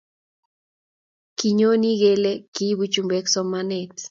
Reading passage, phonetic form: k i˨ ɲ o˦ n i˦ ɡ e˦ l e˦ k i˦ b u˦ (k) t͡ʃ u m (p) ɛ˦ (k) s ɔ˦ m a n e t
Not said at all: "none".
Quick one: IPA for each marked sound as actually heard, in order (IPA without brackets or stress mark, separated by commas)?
none, b, k